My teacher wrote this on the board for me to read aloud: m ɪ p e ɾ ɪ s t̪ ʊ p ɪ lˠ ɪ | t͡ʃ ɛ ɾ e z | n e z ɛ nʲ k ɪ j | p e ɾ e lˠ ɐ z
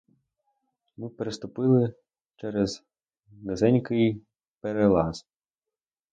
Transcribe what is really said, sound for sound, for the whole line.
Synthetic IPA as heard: m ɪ p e ɾ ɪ s t̪ ʊ p ɪ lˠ ɪ | t͡ʃ ɛ ɾ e z | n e z ɛ nʲ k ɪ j | p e ɾ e lˠ ɑ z

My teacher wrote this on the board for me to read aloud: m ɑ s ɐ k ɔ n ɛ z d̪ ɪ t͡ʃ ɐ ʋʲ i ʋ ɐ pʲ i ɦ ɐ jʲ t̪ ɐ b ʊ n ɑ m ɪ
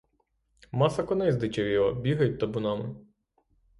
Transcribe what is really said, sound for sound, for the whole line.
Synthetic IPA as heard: m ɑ s ɐ k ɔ n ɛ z d̪ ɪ t͡ʃ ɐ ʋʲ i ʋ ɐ bʲ i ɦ ɐ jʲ t̪ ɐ b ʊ n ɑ m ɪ

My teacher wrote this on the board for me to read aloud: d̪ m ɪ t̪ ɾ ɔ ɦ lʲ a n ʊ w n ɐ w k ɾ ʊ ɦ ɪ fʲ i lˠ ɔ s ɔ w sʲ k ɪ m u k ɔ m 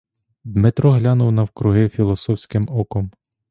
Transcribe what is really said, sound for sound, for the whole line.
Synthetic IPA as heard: d̪ m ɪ t̪ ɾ ɔ ɦ lʲ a n ʊ w n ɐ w k ɾ ʊ ɦ ɪ fʲ i lˠ ɔ s ɔ w sʲ k ɪ m ɔ k ɔ m

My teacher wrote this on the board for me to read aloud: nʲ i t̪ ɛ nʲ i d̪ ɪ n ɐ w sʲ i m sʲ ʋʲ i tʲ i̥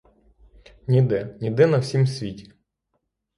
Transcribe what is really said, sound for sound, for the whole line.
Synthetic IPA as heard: nʲ i d̪ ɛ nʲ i d̪ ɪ n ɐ w sʲ i m sʲ ʋʲ i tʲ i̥

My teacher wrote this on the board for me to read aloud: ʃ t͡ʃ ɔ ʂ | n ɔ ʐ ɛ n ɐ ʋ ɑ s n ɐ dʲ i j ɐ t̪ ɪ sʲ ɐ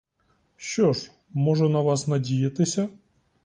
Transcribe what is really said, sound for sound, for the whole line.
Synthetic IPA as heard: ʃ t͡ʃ ɔ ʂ | m ɔ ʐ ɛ n ɐ ʋ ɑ s n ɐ dʲ i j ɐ t̪ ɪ sʲ ɐ

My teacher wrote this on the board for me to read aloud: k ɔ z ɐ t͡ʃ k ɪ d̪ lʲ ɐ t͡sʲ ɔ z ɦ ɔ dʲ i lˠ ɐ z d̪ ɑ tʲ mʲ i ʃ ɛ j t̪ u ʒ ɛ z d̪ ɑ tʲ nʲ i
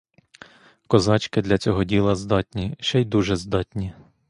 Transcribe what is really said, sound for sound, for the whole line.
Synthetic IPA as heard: k ɔ z ɑ t͡ʃ k ɪ d̪ lʲ ɐ t͡sʲ ɔ ɦ ɔ dʲ i lˠ ɐ z d̪ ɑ tʲ nʲ i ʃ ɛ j d̪ u ʒ ɛ z d̪ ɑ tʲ nʲ i

